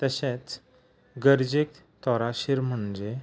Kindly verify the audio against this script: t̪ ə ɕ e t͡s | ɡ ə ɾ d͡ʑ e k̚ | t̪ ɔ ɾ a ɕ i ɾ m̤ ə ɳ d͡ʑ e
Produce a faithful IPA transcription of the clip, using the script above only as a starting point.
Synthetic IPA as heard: t̪ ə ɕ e t͡s | ɡ ə ɾ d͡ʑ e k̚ | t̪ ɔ ɾ a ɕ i ɾ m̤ ə ɳ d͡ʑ e